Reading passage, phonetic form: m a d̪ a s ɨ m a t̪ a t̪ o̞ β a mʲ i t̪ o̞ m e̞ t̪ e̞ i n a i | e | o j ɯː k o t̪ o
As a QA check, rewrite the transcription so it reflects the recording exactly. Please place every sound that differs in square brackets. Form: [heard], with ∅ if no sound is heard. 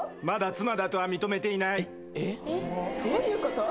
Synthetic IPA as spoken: m a d̪ a [t͡s] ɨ m a [d̪] a t̪ o̞ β a mʲ i t̪ o̞ m e̞ t̪ e̞ i n a i | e | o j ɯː k o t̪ o